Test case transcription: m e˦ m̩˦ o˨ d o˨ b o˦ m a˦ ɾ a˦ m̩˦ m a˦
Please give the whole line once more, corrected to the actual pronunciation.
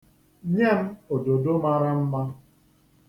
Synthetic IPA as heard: ɲ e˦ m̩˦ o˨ d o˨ d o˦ m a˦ ɾ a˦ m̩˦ m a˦